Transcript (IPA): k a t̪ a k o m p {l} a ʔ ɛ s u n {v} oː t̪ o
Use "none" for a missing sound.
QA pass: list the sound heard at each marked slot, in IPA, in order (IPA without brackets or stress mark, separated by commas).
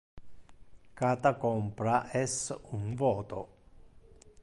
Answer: ɾ, v